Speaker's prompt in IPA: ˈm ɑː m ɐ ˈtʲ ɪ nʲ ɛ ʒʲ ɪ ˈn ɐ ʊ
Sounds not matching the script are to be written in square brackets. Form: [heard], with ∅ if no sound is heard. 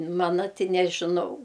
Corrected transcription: ˈm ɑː [n] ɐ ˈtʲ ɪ nʲ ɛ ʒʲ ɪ ˈn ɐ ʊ